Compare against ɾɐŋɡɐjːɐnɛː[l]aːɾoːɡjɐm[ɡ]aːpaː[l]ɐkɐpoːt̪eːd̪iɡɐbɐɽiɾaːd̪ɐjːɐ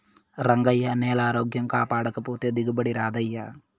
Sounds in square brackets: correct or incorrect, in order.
correct, incorrect, incorrect

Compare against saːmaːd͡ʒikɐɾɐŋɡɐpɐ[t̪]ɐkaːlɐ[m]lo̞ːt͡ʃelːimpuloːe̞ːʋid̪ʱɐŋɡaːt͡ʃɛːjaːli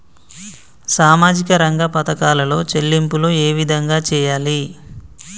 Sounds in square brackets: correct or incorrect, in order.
correct, incorrect

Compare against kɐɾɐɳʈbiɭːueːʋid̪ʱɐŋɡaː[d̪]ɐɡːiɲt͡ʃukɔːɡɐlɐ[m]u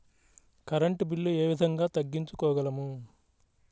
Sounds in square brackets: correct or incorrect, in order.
incorrect, correct

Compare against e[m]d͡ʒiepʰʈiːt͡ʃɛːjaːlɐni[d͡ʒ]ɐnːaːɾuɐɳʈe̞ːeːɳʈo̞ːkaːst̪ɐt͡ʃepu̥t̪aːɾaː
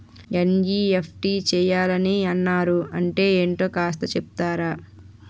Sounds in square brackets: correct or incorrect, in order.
incorrect, incorrect

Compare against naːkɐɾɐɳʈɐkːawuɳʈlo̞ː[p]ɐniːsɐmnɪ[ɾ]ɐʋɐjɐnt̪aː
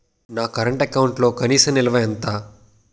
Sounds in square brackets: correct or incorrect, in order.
incorrect, incorrect

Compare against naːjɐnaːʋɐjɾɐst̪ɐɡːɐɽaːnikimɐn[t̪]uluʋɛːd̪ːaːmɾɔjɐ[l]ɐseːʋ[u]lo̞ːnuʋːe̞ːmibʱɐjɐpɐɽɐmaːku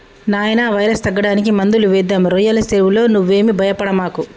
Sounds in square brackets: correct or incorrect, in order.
incorrect, correct, correct

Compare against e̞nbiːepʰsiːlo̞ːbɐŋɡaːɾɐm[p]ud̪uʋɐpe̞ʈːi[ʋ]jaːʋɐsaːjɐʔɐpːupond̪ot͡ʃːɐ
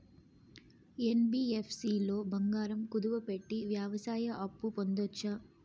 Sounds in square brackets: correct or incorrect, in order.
incorrect, correct

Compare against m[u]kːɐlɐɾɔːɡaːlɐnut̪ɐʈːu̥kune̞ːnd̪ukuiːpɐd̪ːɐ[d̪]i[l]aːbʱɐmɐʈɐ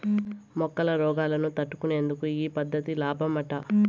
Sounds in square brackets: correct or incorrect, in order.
incorrect, incorrect, correct

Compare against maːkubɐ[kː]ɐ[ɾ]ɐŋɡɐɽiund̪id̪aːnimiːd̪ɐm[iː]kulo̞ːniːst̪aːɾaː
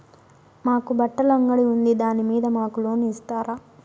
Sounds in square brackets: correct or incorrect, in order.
incorrect, incorrect, incorrect

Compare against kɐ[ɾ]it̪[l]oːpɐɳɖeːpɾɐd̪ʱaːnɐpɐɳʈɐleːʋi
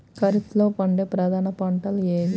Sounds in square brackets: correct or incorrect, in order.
correct, correct

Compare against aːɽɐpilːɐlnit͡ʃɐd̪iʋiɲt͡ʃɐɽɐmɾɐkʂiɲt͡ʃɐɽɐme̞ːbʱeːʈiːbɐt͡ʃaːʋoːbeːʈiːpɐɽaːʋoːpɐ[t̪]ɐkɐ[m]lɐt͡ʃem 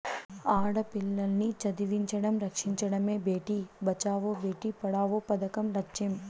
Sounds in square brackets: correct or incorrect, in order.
incorrect, correct

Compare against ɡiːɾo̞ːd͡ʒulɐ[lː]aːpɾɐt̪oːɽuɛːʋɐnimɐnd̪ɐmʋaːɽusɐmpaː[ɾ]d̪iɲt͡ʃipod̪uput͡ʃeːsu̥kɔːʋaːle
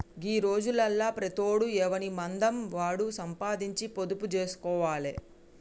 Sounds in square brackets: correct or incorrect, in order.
correct, incorrect

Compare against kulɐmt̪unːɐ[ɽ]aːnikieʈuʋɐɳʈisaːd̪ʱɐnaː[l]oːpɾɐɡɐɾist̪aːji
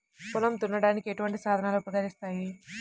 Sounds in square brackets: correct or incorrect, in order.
correct, correct

